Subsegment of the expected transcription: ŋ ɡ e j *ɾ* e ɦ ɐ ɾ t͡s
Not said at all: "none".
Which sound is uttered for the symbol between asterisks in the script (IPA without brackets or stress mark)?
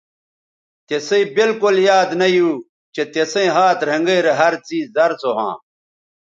ɾ